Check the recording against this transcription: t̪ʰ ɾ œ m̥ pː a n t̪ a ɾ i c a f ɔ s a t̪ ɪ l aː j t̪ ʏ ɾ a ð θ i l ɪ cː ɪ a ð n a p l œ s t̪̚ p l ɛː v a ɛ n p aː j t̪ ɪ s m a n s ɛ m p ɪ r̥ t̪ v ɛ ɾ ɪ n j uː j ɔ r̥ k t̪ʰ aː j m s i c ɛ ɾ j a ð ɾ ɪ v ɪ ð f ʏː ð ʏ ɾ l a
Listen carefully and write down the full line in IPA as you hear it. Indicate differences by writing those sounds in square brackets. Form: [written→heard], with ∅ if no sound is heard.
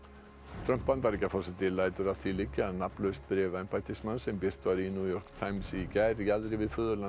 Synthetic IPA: t̪ʰ ɾ œ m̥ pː a n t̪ a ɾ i c a f ɔ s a t̪ ɪ l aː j t̪ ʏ ɾ a ð θ i l ɪ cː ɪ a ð n a p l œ s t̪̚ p [l→ɾ] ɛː v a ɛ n p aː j t̪ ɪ s m a n s ɛ m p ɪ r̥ t̪ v [ɛ→a] ɾ [ɪ→i] n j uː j ɔ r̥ k t̪ʰ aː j m s i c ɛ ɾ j a ð ɾ ɪ v ɪ ð f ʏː ð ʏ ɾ l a